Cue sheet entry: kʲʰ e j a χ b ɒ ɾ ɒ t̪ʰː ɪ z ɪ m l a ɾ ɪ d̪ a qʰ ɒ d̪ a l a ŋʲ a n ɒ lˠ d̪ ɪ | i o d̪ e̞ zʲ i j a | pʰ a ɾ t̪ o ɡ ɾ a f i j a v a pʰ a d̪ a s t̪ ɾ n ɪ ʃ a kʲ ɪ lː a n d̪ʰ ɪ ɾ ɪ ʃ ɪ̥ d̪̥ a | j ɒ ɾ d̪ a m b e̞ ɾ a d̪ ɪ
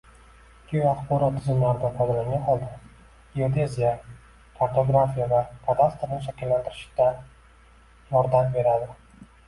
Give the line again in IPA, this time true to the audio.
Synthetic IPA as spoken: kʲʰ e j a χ b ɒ ɾ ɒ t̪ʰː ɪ z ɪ m l a ɾ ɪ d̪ a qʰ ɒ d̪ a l a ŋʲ a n ɒ lˠ d̪ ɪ | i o d̪ e̞ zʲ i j a | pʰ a ɾ t̪ o ɡ ɾ a f i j a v a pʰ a d̪ a s t̪ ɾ n ɪ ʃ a kʲ ɪ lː a n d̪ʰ ɪ ɾ ɪ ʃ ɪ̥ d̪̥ a | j ɒ ɾ d̪ a m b e̞ ɾ a d̪ ɪ